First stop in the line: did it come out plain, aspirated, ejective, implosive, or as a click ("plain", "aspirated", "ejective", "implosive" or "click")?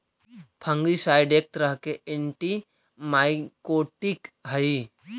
aspirated